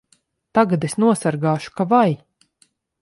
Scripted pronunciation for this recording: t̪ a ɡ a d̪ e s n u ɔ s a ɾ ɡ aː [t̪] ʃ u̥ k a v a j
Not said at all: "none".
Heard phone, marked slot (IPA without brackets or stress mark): none